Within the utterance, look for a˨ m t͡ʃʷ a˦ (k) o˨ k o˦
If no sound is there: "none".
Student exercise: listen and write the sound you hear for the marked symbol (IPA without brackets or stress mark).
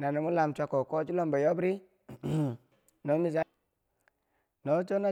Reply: k